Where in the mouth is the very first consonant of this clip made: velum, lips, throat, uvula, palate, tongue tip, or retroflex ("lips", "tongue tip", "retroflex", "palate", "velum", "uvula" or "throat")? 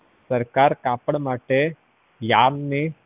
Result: tongue tip